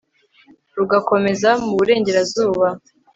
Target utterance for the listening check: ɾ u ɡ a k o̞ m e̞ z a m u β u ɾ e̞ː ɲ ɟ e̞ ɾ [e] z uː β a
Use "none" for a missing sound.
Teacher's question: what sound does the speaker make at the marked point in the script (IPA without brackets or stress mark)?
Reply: a